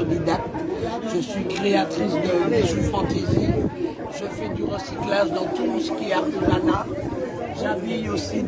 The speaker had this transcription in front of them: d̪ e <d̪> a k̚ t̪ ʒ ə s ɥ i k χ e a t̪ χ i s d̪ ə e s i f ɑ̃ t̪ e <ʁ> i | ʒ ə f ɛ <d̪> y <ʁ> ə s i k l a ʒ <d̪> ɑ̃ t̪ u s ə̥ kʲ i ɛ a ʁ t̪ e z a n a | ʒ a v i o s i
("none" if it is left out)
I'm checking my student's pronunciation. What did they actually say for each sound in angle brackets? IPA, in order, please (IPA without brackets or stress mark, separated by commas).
d̪, z, d̪, ʁ, d̪